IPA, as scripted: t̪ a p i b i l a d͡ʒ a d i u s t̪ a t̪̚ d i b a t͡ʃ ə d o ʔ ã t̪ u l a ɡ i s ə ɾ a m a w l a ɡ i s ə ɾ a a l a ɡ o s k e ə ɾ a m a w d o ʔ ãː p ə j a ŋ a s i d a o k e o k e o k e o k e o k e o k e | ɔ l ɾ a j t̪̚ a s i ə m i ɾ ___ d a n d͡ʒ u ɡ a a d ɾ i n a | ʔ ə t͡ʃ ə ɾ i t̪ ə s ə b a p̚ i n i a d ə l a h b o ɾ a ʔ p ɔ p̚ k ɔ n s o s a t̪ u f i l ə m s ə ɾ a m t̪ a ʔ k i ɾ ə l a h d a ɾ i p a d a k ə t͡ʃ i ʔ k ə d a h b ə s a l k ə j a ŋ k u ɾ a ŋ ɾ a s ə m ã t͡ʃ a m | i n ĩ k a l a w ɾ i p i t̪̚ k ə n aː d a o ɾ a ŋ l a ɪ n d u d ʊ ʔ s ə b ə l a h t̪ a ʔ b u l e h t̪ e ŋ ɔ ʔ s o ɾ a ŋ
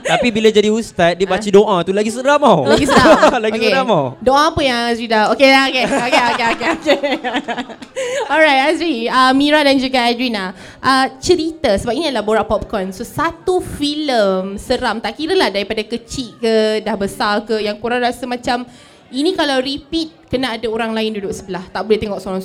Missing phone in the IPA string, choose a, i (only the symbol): a